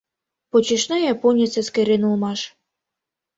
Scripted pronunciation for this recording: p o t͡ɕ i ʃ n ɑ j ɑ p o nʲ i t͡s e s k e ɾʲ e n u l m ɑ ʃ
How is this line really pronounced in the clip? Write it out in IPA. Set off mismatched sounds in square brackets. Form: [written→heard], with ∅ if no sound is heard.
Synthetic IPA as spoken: p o t͡ɕ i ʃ n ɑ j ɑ p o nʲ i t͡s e s k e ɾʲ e n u l m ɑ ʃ